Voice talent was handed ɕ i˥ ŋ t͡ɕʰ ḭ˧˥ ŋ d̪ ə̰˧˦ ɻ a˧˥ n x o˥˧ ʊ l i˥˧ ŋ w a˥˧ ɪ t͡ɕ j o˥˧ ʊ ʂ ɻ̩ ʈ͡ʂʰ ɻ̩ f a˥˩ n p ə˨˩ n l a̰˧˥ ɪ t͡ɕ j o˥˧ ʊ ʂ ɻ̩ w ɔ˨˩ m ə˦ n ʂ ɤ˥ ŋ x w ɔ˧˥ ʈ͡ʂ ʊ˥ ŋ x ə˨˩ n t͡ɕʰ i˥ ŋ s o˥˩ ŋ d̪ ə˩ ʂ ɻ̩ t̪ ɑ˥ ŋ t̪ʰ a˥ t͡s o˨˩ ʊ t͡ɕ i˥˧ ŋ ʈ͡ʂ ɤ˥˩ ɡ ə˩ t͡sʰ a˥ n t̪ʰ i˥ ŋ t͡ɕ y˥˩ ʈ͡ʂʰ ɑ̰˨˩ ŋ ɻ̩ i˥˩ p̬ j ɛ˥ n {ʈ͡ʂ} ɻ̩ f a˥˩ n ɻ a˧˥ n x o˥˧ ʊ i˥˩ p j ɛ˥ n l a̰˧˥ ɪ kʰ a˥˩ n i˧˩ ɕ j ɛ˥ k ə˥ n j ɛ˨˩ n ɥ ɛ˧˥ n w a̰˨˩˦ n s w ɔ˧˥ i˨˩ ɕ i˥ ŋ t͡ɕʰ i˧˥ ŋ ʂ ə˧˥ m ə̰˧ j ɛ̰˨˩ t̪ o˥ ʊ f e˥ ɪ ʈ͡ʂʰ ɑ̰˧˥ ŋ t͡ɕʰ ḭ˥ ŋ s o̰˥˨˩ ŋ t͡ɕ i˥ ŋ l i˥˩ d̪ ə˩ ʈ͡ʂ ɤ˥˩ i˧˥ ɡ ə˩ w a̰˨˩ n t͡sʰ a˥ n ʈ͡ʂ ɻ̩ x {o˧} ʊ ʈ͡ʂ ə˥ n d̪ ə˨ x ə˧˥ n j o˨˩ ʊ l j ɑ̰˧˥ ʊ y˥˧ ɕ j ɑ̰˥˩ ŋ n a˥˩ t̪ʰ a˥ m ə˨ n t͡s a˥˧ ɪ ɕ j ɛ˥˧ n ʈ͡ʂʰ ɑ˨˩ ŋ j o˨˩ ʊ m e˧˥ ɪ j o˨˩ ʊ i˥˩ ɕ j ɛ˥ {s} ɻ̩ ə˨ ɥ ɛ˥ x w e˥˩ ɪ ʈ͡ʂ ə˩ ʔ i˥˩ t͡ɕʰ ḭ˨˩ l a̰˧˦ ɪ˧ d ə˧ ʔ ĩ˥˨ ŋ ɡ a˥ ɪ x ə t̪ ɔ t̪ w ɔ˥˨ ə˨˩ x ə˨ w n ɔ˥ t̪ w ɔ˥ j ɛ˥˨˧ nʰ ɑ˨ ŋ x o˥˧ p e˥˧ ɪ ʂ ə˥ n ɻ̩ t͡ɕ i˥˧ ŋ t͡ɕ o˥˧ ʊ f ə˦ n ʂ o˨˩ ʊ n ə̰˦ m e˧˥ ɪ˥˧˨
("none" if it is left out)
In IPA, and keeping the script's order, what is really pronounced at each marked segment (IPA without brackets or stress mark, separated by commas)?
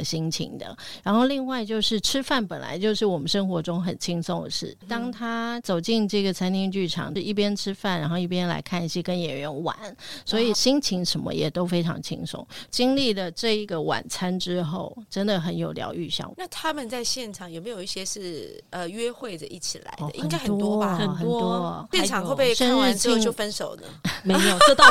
ʈ͡ʂʰ, o˥˩, ʂ